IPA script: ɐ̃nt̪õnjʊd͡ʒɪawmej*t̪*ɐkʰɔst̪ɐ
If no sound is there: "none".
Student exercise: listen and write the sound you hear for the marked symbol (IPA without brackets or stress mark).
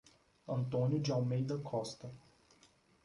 d̪